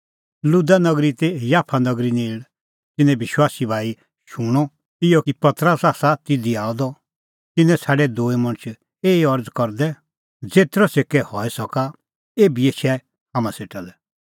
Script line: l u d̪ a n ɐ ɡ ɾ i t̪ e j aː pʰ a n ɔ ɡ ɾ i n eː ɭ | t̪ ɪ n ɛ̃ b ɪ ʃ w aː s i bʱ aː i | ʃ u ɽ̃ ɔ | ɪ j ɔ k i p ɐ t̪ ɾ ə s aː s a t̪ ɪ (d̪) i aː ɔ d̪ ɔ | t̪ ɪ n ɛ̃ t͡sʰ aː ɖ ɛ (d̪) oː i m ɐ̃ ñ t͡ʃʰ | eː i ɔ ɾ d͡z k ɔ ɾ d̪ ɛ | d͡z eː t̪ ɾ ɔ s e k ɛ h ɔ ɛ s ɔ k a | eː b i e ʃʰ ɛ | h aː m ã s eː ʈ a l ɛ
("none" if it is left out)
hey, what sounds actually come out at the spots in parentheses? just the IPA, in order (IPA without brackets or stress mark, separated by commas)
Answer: d̪, d̪